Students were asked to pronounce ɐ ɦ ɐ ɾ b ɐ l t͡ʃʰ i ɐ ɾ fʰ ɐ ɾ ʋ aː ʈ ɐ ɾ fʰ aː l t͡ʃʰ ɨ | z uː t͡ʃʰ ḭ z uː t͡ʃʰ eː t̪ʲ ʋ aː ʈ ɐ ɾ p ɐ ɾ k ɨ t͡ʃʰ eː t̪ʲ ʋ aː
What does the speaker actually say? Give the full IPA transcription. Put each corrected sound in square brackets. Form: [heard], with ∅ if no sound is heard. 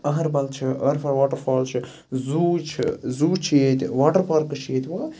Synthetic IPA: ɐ ɦ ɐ ɾ b ɐ l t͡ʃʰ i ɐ ɾ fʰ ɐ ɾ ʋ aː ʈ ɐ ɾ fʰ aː l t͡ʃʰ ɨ | z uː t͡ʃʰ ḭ z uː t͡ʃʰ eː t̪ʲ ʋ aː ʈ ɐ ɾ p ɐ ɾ k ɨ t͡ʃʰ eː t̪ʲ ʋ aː